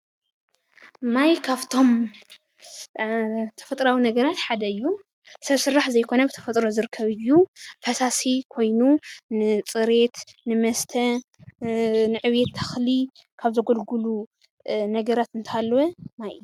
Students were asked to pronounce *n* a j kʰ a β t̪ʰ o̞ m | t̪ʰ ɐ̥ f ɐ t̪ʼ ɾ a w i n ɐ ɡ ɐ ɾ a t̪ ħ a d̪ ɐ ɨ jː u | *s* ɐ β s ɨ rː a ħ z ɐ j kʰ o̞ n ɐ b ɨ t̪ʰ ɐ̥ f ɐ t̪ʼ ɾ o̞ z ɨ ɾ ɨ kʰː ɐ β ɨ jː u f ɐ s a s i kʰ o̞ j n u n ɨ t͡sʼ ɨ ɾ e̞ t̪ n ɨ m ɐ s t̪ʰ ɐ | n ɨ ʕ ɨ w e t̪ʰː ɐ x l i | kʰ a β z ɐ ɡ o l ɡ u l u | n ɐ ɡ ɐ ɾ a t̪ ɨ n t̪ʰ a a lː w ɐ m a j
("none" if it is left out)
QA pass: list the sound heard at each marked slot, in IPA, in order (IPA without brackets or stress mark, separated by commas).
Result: m, s